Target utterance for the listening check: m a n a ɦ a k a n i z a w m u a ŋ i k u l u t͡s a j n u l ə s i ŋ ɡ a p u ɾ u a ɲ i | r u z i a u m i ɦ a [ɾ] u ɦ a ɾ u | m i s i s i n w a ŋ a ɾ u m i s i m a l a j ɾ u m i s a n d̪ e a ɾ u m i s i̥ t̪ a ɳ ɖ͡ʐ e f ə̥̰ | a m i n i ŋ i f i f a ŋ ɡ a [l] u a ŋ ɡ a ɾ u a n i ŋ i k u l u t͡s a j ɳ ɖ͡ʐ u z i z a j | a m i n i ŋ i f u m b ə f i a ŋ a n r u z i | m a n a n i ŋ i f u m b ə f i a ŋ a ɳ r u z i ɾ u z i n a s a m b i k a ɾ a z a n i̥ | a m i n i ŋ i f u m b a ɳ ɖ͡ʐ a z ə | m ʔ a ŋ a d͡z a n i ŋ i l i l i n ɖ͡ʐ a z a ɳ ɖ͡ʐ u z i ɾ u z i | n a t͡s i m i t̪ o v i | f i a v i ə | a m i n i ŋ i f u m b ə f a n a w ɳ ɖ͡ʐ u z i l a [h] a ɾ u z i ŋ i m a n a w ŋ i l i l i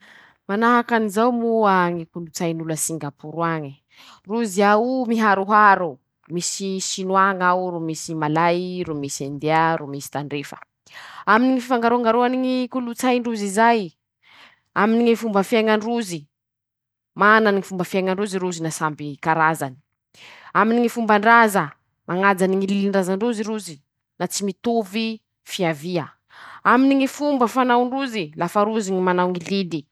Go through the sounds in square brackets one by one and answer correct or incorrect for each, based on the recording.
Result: correct, incorrect: ɾ, incorrect: f

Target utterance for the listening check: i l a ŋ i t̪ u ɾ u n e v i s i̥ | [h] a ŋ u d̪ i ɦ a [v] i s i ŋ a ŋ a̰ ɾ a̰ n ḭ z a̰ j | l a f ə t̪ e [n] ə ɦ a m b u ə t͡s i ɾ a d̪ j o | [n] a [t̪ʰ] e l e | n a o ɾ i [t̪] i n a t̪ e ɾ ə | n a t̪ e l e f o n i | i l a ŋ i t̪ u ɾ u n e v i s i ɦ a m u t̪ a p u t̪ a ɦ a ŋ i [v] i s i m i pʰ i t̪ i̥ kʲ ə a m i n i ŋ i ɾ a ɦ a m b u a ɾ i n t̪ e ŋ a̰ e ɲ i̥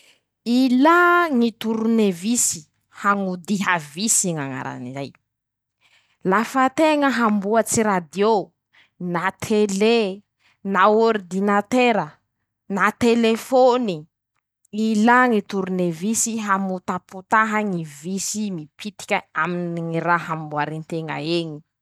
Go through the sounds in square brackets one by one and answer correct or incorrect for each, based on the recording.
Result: correct, correct, incorrect: ŋ, correct, correct, incorrect: d̪, correct

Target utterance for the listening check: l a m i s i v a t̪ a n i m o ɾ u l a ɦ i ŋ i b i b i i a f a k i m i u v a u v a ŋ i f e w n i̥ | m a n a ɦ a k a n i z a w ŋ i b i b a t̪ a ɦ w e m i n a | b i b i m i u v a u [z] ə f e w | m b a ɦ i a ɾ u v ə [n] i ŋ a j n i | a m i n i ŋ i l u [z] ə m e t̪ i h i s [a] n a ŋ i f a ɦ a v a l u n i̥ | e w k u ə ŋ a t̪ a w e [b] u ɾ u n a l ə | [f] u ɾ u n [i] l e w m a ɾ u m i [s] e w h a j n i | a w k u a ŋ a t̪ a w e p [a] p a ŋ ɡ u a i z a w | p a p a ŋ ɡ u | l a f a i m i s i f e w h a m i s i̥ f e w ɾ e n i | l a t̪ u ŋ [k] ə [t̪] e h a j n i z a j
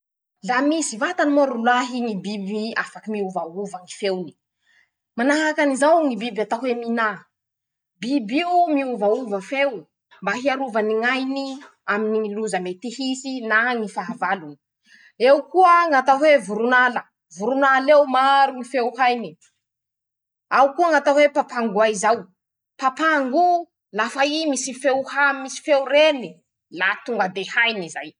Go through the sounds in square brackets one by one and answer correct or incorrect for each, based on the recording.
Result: incorrect: v, correct, correct, incorrect: i, incorrect: v, incorrect: v, incorrect: a, incorrect: f, correct, incorrect: ɡ, incorrect: d̪

